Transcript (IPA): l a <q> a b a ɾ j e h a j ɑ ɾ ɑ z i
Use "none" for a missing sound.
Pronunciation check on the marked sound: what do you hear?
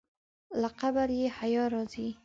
q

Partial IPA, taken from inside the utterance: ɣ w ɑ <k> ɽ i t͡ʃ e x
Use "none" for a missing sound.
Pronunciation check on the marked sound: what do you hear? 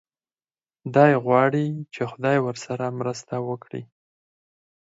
none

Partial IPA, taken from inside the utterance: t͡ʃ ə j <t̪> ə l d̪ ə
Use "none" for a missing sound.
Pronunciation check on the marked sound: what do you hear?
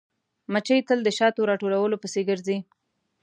t̪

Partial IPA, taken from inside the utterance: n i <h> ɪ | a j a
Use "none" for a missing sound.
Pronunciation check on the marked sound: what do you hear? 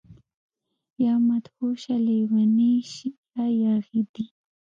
ʃ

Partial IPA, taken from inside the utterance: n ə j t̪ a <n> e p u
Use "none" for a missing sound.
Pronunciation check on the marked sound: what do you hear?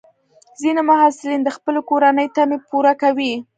m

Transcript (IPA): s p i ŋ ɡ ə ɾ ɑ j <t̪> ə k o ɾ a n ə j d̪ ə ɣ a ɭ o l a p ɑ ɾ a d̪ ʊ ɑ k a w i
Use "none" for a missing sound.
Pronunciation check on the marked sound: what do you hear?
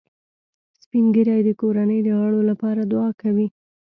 d̪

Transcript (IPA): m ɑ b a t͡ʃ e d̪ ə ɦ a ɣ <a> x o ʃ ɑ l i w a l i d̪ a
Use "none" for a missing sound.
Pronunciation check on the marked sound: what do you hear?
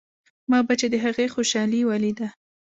e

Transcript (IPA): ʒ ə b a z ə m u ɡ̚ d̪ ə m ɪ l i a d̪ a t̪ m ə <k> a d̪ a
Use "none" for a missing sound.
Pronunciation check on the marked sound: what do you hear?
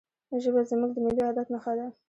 x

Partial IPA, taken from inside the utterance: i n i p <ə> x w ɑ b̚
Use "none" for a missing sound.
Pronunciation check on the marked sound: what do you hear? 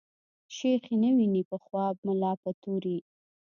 ə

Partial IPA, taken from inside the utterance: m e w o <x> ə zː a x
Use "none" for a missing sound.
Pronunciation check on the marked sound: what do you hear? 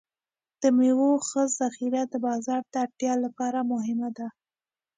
x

